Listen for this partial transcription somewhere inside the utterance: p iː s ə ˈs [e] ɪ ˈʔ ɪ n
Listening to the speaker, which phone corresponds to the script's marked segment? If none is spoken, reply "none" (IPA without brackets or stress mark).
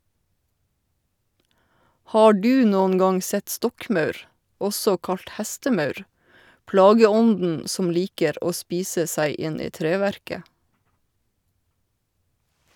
æ